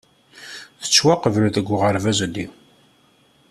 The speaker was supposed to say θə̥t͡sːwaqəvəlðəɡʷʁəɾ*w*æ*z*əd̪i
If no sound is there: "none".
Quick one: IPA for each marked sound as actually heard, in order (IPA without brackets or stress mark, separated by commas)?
v, z